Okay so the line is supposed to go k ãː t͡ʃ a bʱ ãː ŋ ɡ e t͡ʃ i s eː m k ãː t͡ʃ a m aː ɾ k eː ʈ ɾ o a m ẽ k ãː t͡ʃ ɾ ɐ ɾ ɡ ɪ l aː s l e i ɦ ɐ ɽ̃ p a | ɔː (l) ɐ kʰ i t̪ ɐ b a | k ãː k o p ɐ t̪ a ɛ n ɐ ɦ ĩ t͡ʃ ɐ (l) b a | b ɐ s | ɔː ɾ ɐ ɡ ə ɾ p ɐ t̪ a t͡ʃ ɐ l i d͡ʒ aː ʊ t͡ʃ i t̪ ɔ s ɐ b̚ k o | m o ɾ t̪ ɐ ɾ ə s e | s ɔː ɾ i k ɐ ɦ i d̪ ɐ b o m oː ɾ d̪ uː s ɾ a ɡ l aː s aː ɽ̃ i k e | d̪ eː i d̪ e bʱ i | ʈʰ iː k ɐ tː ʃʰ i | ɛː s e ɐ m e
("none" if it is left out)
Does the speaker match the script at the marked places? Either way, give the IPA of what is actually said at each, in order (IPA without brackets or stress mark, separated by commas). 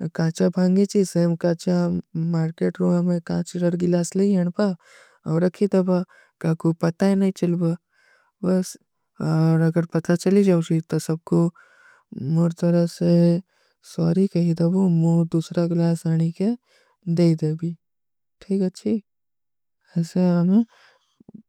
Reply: ɾ, l